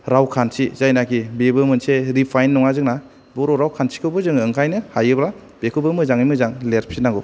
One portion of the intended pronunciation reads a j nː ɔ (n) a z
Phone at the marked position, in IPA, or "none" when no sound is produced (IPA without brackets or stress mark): ŋ